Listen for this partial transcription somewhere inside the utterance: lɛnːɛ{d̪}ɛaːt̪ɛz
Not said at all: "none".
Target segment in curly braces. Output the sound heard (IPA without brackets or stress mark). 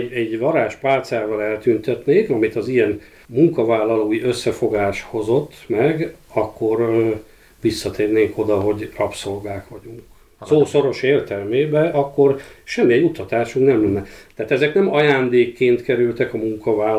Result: t̪